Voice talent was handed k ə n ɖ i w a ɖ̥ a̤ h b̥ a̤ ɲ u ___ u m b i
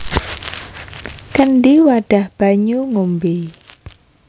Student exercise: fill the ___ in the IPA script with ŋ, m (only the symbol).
ŋ